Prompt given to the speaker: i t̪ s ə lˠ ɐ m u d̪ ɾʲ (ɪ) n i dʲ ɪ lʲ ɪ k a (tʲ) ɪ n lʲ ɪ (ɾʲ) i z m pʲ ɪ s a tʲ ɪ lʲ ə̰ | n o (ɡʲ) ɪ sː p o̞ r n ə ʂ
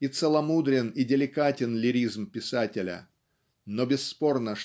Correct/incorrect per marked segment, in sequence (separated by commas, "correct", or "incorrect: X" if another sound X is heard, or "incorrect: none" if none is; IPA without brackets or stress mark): correct, correct, correct, incorrect: bʲ